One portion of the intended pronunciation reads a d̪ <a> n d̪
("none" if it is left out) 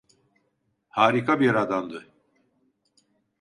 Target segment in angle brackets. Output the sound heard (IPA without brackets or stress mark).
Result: a